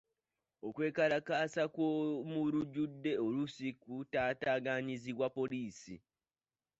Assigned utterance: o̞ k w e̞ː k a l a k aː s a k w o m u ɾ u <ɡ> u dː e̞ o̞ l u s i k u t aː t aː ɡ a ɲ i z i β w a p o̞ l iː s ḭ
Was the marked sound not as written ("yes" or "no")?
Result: yes